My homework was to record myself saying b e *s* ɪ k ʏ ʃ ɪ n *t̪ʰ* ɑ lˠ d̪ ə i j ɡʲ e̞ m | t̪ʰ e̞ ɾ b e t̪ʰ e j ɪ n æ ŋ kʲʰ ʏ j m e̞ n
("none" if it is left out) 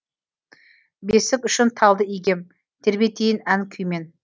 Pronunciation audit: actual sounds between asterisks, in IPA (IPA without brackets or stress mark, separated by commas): s, t̪ʰ